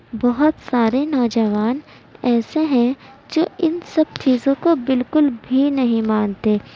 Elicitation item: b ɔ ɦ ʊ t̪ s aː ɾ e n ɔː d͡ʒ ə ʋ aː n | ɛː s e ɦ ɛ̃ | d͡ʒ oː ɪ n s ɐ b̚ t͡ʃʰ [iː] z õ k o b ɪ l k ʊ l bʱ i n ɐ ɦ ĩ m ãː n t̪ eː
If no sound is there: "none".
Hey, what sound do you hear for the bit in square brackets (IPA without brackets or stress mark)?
iː